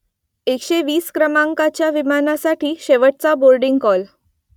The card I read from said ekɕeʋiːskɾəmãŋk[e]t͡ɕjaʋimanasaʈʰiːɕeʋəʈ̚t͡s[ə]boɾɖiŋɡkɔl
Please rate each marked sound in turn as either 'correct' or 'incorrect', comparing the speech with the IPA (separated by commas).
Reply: incorrect, incorrect